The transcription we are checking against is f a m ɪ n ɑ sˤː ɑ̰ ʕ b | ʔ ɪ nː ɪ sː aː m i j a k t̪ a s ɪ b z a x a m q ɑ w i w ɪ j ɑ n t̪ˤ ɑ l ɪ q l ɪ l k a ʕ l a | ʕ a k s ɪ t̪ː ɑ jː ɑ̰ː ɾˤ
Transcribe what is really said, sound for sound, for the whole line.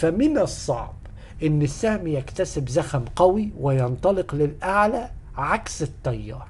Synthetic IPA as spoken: f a m ɪ n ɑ sˤː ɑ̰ ʕ b | ʔ ɪ nː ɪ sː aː m i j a k t̪ a s ɪ b z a x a m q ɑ w i w ɪ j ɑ n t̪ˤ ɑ l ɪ q l ɪ l ʔ a ʕ l a | ʕ a k s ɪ t̪ː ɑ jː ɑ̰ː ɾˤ